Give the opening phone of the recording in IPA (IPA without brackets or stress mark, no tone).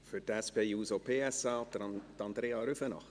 f